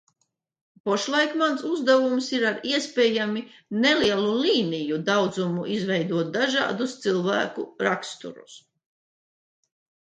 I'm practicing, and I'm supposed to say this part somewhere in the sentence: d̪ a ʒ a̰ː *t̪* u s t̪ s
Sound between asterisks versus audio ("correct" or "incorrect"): incorrect